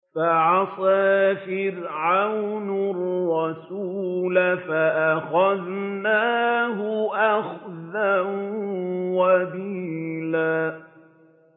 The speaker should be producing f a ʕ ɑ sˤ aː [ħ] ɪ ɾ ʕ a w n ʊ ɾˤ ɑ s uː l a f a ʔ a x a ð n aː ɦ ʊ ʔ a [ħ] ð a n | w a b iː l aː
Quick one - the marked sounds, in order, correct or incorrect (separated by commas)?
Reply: incorrect, incorrect